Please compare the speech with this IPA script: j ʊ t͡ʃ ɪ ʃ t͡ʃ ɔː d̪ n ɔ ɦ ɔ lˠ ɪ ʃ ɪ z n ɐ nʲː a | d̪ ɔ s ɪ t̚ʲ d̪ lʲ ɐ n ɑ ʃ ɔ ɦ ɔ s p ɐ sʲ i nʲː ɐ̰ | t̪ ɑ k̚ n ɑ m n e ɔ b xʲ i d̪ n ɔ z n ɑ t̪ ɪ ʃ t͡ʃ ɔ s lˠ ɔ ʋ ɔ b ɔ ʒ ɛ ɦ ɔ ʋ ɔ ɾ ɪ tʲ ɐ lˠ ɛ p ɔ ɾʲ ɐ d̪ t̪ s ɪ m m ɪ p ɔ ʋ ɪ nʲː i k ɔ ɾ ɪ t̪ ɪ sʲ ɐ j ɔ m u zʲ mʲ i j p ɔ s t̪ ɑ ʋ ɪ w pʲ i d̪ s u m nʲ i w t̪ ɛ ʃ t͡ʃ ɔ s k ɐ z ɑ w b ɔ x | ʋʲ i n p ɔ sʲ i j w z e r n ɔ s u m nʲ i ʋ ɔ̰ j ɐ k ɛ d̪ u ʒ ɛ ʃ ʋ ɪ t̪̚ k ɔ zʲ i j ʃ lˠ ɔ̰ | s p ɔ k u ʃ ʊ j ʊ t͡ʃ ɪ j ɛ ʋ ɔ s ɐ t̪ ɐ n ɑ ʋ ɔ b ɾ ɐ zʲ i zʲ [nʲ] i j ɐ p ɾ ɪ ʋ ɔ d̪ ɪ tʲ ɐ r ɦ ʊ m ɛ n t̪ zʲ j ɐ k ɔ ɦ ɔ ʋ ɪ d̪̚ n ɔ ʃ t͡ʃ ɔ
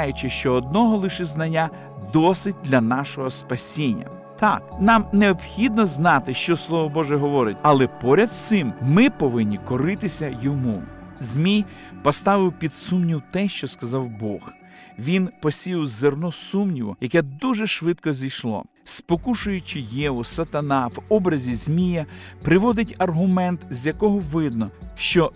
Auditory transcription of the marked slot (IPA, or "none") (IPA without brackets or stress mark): mʲ